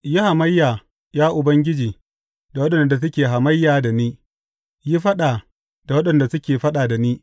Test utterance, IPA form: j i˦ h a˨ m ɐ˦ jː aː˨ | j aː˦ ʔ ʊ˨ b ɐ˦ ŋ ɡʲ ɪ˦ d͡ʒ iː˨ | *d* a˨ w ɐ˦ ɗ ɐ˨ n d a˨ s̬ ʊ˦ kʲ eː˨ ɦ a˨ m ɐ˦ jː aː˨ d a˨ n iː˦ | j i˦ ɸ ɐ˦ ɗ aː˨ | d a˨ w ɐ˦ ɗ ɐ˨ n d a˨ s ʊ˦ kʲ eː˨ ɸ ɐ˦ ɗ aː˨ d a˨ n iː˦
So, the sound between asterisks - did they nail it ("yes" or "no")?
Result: yes